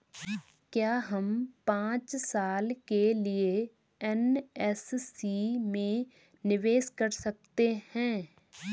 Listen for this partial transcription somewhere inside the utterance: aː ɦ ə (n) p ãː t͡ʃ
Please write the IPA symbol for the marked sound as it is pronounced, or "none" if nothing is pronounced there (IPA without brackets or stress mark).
m